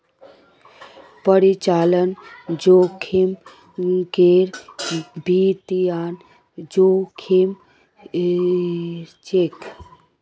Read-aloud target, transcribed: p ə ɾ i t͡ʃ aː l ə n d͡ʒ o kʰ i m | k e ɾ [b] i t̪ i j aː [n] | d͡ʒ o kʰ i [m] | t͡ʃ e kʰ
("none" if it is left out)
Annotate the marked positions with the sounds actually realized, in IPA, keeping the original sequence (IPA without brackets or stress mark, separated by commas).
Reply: b, n, m